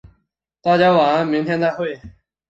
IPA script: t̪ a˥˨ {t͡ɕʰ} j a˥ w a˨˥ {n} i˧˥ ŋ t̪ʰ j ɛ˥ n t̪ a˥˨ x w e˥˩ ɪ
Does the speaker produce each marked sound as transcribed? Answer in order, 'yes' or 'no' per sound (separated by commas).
no, no